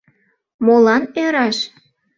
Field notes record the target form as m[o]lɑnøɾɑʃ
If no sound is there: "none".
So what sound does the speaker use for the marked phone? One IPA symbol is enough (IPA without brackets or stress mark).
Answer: o